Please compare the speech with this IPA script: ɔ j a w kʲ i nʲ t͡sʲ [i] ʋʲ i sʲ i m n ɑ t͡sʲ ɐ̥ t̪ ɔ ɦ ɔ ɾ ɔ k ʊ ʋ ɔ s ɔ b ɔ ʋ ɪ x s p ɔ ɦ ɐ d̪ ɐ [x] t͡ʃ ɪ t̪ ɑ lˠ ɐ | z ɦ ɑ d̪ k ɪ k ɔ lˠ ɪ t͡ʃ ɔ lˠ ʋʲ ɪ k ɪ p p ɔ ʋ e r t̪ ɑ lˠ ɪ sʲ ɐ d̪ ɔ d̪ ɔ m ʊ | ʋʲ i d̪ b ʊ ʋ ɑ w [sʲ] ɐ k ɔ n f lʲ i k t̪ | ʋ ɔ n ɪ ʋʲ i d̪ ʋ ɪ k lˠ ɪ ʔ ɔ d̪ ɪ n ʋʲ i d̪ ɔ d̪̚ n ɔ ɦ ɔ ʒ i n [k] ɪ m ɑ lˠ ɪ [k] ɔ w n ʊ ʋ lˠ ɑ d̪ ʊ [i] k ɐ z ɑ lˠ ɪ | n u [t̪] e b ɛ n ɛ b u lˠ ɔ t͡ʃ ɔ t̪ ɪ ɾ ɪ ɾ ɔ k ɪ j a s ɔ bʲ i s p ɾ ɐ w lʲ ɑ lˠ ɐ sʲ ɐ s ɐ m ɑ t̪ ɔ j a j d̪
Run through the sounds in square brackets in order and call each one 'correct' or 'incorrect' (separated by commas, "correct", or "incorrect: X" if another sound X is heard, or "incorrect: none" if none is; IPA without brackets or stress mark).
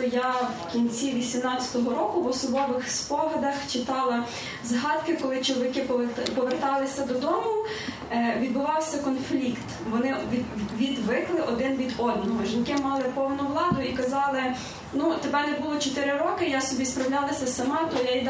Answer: correct, correct, correct, correct, incorrect: p, correct, correct